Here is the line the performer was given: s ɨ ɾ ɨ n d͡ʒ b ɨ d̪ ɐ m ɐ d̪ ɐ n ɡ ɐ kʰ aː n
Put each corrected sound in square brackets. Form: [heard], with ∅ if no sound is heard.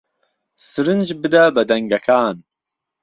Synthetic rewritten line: s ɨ ɾ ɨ n d͡ʒ b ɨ d̪ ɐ [b] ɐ d̪ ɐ [ŋ] ɡ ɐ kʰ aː n